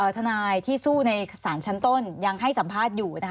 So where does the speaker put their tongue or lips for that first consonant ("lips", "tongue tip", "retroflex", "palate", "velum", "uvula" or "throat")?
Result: throat